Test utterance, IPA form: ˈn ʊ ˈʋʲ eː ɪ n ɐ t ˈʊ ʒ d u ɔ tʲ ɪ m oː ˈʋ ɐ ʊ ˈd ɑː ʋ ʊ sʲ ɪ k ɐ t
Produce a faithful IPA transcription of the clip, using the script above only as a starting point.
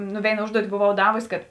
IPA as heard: ˈn ʊ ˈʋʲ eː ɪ n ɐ ˈʊ ʒ d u ɔ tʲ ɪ b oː ˈʋ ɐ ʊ ˈd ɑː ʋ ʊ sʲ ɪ k ɐ t